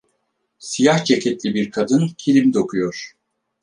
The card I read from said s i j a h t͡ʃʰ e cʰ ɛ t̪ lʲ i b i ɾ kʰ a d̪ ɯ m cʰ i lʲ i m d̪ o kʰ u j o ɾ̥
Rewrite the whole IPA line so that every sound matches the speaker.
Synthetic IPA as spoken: s i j a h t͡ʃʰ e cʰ ɛ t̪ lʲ i b i ɾ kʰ a d̪ ɯ n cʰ i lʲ i m d̪ o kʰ u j o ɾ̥